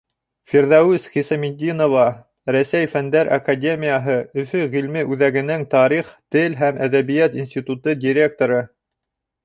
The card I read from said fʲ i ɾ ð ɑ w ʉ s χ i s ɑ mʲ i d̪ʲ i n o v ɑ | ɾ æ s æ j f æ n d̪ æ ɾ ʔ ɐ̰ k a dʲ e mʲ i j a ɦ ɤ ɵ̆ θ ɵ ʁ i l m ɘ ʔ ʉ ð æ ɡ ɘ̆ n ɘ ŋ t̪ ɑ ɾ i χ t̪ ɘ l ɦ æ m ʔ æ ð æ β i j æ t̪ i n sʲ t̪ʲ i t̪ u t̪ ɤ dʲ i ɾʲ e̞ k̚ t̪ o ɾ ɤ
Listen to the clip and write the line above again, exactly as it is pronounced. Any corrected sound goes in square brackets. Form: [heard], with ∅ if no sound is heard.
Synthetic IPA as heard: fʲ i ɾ ð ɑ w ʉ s χ i s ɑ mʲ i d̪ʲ i n o v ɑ | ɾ æ s æ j f æ n d̪ æ ɾ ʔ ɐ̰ k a dʲ e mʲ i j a ɦ ɤ ɵ̆ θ ɵ ʁ i l m ɘ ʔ ʉ ð æ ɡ ɘ̆ n ɘ ŋ t̪ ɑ ɾ i χ t̪ ɘ l ɦ æ m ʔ æ ð æ β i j æ t̪ i n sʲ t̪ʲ i t̪ u t̪ ɤ dʲ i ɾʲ e̞ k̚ t̪ o ɾ ɤ